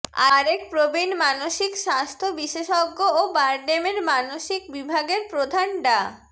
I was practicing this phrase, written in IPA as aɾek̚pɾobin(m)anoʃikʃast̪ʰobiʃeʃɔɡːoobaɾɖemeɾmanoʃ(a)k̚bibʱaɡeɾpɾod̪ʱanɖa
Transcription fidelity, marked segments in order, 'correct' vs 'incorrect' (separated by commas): correct, incorrect